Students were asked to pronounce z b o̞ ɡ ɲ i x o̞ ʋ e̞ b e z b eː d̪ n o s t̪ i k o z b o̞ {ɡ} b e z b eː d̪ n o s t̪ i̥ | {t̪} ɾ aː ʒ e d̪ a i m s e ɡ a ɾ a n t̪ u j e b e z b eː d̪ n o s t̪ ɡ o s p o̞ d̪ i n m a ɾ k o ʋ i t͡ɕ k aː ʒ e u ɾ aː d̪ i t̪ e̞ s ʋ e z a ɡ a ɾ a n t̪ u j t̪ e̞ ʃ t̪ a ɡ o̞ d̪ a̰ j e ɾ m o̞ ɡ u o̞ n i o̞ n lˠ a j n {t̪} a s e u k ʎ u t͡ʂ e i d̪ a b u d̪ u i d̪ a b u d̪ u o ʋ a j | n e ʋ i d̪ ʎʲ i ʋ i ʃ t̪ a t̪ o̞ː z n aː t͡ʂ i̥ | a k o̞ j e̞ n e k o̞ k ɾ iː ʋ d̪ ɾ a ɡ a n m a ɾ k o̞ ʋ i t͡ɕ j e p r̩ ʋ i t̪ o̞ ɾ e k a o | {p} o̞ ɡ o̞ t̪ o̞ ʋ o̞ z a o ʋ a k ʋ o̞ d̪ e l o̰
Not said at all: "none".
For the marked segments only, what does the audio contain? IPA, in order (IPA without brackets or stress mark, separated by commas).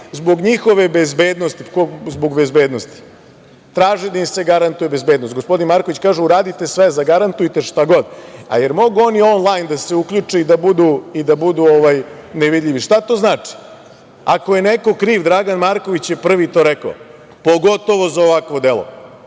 ɡ, t̪, d̪, p